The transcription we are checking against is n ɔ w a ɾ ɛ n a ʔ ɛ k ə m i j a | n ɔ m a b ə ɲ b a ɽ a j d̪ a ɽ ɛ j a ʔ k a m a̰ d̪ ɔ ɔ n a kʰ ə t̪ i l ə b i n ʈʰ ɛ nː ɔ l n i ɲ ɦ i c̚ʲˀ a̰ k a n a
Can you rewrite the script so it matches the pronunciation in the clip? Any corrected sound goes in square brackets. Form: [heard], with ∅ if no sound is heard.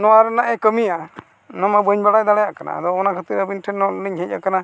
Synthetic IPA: n ɔ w a ɾ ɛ n a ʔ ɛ k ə m i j a | n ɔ m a b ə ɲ b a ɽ a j d̪ a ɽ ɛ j a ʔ k a [n] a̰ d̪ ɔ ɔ n a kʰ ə t̪ i [ɾ] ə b i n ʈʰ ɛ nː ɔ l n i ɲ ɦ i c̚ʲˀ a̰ k a n a